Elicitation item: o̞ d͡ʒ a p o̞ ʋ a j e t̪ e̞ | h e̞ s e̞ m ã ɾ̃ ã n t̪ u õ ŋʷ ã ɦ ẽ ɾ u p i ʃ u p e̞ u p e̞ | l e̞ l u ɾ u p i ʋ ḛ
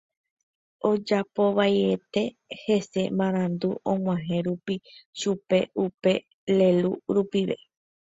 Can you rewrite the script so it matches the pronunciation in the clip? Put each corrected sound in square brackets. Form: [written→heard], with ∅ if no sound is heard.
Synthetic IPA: o̞ d͡ʒ a p o̞ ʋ a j e t̪ e̞ | h e̞ s e̞ m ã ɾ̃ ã n [t̪→d̪] u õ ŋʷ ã ɦ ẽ ɾ u p i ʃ u p e̞ u p e̞ | l e̞ l u ɾ u p i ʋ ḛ